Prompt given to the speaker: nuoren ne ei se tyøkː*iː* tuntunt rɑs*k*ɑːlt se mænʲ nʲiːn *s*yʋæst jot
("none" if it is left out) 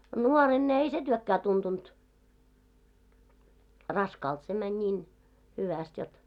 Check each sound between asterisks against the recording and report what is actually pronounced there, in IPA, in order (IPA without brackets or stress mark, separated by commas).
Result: æː, k, h